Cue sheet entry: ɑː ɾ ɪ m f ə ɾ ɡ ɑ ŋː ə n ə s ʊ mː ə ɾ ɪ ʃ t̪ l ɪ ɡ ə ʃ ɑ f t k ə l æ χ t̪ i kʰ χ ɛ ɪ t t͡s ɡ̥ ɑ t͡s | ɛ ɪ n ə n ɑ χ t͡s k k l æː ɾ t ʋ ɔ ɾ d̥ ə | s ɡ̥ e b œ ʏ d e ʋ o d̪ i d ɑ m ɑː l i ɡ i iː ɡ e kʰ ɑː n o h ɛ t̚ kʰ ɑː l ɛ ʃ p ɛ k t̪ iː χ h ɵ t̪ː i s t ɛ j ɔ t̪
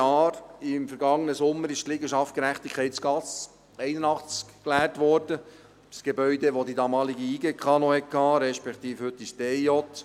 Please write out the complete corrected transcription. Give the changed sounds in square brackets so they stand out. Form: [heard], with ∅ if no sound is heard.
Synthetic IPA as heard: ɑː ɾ ɪ m f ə ɾ ɡ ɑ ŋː ə n ə s ʊ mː ə ɾ ɪ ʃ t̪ l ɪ ɡ ə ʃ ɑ f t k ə [ɾ] æ χ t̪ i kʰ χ ɛ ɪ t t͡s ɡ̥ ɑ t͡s | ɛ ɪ n ə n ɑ χ t͡s k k l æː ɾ t ʋ ɔ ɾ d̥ ə | s ɡ̥ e b œ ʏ d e ʋ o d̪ i d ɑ m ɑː l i ɡ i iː ɡ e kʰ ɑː n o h ɛ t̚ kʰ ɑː [ɾ] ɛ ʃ p ɛ k t̪ iː [f] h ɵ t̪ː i s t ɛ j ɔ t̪

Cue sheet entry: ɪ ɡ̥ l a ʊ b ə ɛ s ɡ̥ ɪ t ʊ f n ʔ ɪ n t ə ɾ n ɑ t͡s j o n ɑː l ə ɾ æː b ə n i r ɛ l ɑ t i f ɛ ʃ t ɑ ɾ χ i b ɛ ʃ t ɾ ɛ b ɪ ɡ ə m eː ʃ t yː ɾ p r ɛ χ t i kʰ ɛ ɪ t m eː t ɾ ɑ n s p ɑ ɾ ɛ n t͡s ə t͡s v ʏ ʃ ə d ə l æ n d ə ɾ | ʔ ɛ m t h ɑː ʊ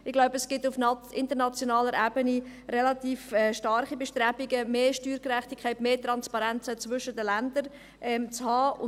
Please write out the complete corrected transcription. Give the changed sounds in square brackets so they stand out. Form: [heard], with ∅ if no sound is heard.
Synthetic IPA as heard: ɪ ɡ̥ l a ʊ b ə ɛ s ɡ̥ ɪ t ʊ f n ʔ ɪ n t ə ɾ n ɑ t͡s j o n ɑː l ə ɾ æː b ə n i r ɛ l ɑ t [iː] f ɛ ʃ t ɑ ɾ χ i b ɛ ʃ t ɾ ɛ b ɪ ɡ ə m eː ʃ t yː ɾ [k] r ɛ χ t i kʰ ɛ ɪ t m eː t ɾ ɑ n s p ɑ ɾ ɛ n t͡s ə t͡s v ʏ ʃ ə d ə l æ n d ə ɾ | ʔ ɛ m [t͡s] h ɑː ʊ

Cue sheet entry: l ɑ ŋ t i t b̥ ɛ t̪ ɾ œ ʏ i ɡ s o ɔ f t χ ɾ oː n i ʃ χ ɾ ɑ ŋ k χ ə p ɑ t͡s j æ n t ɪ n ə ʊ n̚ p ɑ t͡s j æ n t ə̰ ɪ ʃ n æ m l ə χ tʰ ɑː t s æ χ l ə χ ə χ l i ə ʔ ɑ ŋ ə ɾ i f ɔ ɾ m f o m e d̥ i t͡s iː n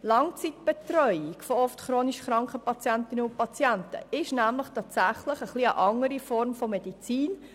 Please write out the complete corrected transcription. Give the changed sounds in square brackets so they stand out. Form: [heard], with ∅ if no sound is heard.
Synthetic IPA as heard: l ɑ ŋ [t͡s] i t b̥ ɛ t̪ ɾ œ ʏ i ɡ [f] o ɔ f t χ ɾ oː n i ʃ χ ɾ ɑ ŋ k χ ə p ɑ t͡s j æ n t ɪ n ə ʊ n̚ p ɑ t͡s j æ n t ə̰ ɪ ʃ n æ m l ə χ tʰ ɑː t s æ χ l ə χ ə χ l i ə ʔ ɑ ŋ ə ɾ i f ɔ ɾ m f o m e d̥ i t͡s iː n

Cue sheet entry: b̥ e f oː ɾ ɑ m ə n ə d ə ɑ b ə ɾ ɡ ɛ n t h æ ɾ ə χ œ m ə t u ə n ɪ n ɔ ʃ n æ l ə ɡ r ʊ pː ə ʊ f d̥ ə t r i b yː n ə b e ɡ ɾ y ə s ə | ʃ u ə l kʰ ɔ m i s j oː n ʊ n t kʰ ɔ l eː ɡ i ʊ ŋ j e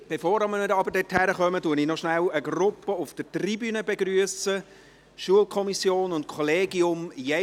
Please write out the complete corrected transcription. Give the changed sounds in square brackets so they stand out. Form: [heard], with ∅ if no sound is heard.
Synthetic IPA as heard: b̥ e f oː ɾ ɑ m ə n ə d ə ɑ b ə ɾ [d] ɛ [∅] t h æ ɾ ə χ œ m ə t u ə n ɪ n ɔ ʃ n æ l ə ɡ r ʊ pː ə ʊ f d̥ ə t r i b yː n ə b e ɡ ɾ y ə s ə | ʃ u ə l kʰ ɔ m i s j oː n ʊ n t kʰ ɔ l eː ɡ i ʊ [m] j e

